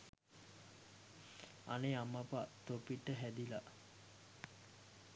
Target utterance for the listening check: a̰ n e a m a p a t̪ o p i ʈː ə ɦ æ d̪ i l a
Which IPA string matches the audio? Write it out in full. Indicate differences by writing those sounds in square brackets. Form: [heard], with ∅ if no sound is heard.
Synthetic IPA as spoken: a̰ n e a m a p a t̪ o p i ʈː ə ɦ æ d̪ i l a